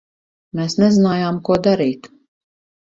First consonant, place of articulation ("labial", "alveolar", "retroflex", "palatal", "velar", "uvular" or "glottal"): labial